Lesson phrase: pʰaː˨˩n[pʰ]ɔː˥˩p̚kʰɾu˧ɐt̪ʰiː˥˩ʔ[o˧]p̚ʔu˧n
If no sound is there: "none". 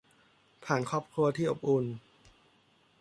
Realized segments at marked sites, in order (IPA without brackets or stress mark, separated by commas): kʰ, o˨˩